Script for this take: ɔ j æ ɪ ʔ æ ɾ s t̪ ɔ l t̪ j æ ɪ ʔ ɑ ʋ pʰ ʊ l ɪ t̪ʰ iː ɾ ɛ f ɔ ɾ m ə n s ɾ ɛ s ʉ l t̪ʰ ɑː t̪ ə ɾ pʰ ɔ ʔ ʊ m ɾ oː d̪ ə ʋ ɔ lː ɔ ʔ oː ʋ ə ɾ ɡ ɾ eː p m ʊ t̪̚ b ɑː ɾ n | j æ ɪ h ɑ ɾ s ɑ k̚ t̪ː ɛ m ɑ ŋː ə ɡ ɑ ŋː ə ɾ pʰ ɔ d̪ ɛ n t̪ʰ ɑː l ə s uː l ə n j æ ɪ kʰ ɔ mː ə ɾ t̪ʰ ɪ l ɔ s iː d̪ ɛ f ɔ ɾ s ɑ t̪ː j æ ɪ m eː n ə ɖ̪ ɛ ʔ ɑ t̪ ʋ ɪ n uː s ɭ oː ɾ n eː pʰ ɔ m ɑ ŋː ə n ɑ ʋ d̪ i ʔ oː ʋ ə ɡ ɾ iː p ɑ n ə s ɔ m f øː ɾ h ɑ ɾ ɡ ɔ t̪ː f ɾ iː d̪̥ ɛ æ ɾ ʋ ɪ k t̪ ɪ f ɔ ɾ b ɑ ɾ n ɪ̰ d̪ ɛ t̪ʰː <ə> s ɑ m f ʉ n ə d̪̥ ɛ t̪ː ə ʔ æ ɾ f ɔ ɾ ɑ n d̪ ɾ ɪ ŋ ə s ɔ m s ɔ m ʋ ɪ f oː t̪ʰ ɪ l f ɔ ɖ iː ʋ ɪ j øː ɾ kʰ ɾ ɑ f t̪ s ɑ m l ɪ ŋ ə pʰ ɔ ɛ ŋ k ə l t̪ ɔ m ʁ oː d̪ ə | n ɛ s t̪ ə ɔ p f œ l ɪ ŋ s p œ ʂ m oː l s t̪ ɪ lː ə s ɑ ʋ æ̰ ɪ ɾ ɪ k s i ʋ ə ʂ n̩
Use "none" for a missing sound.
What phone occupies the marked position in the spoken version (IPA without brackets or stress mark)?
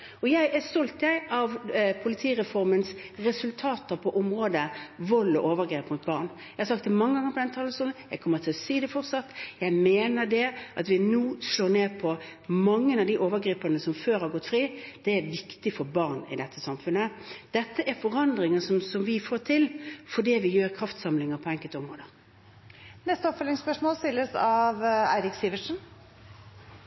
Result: ə